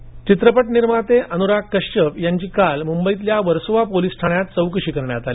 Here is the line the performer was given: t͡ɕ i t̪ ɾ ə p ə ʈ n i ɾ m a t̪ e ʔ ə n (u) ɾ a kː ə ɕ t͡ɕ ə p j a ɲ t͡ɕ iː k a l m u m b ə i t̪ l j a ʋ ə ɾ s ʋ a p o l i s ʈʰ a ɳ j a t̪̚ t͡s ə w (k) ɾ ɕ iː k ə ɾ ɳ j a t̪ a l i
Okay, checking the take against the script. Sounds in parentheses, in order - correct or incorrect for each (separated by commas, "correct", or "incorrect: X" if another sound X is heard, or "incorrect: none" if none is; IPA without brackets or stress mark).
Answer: correct, correct